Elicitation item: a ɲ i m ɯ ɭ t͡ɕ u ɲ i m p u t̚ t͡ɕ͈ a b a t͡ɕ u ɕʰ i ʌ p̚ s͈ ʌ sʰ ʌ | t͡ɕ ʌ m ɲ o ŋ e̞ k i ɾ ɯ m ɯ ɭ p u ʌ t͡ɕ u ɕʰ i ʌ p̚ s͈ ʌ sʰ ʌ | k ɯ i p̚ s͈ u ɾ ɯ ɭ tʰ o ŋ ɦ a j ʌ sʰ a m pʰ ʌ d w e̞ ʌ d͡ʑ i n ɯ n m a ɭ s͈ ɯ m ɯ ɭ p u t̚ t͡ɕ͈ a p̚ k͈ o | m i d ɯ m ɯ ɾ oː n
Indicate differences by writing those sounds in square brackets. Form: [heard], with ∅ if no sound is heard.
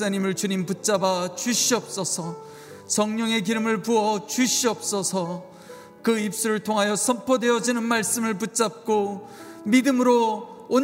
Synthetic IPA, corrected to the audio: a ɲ i m ɯ ɭ t͡ɕ u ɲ i m p u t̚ t͡ɕ͈ a b a t͡ɕ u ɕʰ i ʌ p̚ s͈ ʌ sʰ ʌ | t͡ɕ ʌ [ŋ] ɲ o ŋ e̞ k i ɾ ɯ m ɯ ɭ p u ʌ t͡ɕ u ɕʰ i ʌ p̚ s͈ ʌ sʰ ʌ | k ɯ i p̚ s͈ u ɾ ɯ ɭ tʰ o ŋ ɦ a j ʌ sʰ [ʌ] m pʰ ʌ d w e̞ ʌ d͡ʑ i n ɯ n m a ɭ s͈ ɯ m ɯ ɭ p u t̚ t͡ɕ͈ a p̚ k͈ o | m i d ɯ m ɯ ɾ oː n